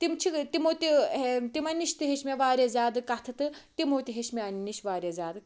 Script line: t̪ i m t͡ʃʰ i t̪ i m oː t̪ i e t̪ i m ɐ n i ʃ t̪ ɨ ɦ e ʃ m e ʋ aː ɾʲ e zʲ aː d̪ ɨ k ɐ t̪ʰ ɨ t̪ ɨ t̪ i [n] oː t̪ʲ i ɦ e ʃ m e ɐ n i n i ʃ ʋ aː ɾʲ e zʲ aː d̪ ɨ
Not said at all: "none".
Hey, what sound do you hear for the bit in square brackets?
m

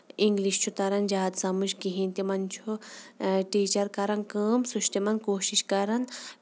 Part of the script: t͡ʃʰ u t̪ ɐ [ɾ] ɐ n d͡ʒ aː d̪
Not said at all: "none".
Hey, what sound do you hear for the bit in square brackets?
ɾ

